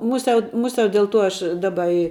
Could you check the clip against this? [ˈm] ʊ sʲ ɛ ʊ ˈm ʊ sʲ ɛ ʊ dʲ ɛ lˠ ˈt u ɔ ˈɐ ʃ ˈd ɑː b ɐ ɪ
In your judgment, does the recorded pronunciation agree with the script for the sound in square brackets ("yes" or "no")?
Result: yes